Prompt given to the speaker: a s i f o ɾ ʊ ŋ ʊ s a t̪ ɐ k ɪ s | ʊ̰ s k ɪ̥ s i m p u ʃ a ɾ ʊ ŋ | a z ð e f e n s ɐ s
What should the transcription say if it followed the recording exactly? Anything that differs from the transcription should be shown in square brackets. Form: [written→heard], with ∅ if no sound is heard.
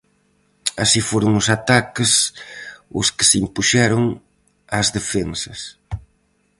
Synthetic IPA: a s i f o ɾ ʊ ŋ ʊ s a t̪ [ɐ→a] k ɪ s | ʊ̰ s k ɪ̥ s i m p u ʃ [a→ɛ] ɾ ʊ ŋ | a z ð e f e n s ɐ s